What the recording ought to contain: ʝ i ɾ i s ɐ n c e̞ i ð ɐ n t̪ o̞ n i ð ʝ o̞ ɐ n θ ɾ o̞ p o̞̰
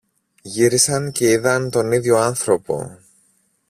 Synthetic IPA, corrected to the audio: ʝ i ɾ i s ɐ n c e̞ i ð ɐ n t̪ o̞ n i ð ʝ o̞ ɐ n θ ɾ o̞ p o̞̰